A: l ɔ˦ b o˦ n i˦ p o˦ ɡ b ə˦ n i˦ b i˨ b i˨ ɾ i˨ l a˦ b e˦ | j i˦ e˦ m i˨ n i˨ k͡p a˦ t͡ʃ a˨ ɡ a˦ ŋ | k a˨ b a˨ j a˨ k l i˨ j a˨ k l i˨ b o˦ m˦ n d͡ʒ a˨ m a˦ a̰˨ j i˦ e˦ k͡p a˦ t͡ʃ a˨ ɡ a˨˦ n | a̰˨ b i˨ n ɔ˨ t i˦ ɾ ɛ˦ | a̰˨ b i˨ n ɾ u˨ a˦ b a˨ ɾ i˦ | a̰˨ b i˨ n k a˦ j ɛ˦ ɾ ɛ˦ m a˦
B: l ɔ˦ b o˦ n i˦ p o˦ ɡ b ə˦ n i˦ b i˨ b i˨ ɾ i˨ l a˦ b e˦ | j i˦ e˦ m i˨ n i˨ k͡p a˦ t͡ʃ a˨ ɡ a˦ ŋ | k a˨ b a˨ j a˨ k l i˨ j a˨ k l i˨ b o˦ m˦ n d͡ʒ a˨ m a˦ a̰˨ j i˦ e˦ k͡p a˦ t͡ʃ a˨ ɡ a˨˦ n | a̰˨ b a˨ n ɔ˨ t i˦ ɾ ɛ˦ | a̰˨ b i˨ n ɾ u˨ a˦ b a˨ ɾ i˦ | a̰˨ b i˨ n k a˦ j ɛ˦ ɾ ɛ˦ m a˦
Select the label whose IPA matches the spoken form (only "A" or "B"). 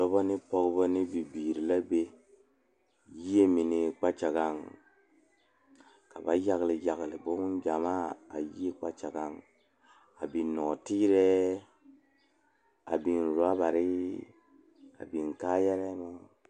A